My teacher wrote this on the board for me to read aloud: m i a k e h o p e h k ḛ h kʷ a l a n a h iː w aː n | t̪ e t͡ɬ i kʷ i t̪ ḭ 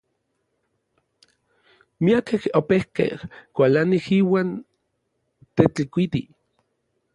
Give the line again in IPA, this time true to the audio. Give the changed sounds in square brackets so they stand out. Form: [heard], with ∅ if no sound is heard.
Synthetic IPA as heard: m i a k e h o p e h k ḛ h kʷ a l a n [i] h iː w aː n | t̪ e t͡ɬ i kʷ i t̪ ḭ